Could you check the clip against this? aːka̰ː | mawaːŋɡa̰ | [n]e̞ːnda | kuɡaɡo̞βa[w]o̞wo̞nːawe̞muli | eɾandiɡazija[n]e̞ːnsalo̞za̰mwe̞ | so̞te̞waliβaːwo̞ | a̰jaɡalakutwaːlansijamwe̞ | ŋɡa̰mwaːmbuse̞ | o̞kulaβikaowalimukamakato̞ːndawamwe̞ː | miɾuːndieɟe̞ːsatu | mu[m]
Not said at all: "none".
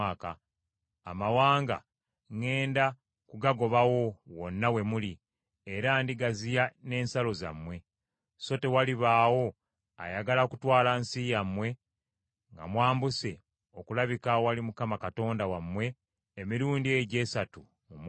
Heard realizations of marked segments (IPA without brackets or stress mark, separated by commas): ŋ, w, n, m